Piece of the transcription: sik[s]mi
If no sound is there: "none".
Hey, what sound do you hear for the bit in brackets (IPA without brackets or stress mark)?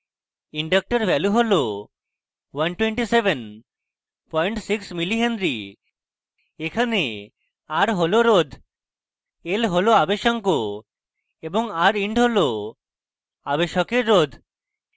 s